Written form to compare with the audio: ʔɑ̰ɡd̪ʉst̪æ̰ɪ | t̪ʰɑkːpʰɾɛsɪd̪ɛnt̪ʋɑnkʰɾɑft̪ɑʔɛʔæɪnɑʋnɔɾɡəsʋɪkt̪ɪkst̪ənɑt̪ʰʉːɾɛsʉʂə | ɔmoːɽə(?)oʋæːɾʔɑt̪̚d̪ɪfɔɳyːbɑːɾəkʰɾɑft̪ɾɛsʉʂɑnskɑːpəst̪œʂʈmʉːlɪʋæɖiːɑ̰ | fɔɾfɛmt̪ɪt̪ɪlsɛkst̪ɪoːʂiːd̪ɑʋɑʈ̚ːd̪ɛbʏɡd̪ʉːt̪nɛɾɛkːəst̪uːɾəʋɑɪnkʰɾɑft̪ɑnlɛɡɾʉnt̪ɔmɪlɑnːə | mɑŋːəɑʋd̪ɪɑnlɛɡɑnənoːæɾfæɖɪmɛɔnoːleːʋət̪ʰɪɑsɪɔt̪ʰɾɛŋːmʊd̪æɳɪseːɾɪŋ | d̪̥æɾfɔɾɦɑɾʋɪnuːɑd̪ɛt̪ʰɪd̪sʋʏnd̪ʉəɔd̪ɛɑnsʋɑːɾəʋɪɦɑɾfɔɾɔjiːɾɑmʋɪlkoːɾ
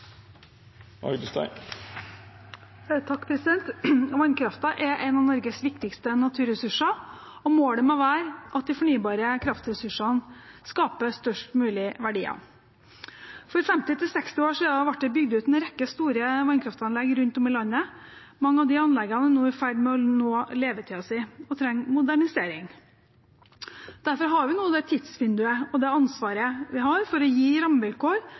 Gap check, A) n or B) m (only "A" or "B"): B